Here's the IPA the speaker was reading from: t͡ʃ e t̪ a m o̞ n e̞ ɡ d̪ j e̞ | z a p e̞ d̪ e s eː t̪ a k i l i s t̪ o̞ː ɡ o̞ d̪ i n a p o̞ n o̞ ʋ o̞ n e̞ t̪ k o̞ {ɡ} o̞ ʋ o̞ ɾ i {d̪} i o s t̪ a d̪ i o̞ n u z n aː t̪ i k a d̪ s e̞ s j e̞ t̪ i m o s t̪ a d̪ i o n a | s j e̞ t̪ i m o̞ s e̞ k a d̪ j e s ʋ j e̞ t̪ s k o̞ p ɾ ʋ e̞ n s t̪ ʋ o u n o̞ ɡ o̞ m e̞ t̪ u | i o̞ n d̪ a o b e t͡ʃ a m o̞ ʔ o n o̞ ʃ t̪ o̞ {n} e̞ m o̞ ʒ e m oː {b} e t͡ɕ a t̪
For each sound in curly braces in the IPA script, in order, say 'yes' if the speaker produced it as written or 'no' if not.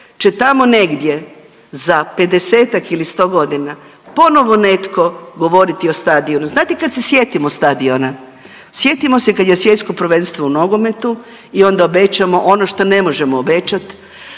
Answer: yes, no, yes, yes

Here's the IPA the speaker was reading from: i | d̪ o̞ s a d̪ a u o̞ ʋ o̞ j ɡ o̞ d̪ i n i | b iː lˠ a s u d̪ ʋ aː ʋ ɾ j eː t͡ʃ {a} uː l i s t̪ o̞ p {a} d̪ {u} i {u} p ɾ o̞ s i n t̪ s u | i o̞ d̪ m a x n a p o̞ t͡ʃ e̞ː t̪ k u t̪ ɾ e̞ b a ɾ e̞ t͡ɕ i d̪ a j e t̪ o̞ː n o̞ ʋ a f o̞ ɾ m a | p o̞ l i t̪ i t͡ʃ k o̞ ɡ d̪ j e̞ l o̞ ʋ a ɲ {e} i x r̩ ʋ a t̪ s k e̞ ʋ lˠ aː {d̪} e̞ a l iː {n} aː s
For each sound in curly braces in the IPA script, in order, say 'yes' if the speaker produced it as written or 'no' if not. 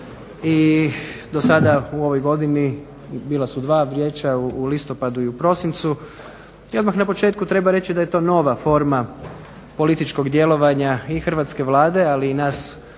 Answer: yes, yes, yes, yes, no, yes, yes

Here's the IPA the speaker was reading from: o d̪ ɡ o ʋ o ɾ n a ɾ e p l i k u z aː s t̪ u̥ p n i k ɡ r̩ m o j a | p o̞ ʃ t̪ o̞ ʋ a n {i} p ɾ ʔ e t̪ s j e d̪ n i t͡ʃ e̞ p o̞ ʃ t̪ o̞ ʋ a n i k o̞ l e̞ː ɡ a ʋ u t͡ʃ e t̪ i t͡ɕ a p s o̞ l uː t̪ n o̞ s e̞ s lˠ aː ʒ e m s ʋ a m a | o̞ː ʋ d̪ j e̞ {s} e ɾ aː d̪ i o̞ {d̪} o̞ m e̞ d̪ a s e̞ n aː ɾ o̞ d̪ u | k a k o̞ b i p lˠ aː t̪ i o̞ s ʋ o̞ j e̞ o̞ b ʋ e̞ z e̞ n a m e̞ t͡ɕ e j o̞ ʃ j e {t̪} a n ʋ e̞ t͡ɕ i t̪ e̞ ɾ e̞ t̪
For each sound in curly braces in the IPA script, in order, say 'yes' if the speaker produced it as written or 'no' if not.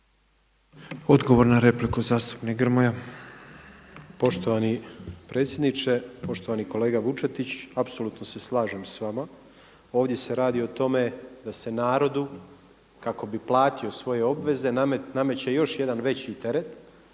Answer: yes, yes, no, no

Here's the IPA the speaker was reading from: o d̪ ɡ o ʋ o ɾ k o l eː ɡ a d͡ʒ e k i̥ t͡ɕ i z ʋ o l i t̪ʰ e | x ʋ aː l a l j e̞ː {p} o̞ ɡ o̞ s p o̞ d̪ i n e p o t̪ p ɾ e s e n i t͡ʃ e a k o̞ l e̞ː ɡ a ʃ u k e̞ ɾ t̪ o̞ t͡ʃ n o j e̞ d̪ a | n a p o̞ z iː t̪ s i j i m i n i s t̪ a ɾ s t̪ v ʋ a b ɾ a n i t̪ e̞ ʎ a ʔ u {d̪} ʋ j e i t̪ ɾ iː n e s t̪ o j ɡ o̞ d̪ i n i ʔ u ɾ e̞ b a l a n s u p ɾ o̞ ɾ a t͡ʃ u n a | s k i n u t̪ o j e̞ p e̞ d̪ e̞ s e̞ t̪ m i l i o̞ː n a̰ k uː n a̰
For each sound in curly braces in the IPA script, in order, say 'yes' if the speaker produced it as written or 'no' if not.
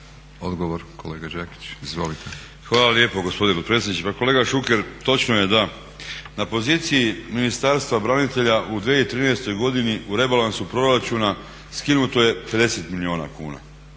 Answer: yes, yes

